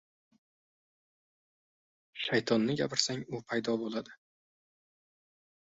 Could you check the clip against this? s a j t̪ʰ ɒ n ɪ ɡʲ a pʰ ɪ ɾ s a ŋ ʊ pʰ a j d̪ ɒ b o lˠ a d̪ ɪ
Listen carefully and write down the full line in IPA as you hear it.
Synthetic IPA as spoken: ʃ a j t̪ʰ ɒ nː ɪ ɡʲ a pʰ ɪ ɾ s a ŋ ʊ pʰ a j d̪ ɒ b o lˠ a d̪ ɪ